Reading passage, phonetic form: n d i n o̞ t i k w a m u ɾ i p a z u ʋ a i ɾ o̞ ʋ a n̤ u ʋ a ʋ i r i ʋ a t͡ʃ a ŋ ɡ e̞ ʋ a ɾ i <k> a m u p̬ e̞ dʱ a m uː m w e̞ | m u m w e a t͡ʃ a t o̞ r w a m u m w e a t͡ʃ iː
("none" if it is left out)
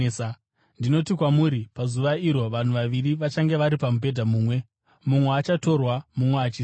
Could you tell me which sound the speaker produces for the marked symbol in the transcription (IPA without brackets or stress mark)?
p